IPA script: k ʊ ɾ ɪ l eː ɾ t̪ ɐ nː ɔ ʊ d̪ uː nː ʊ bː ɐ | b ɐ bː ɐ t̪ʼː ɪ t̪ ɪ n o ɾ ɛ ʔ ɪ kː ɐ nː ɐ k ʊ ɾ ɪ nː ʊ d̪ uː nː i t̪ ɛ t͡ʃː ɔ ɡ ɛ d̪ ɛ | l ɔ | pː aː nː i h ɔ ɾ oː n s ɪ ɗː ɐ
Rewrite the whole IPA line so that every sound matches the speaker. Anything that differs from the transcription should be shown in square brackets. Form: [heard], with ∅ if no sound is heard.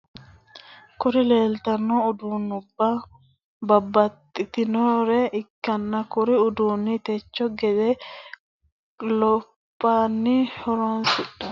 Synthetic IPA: k ʊ ɾ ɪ l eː [l] t̪ ɐ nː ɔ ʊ d̪ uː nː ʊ bː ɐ | b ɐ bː ɐ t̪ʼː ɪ t̪ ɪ n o ɾ ɛ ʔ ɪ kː ɐ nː ɐ k ʊ ɾ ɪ [∅] ʊ d̪ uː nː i t̪ ɛ t͡ʃː ɔ ɡ ɛ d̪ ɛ | l ɔ | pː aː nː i h ɔ ɾ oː n s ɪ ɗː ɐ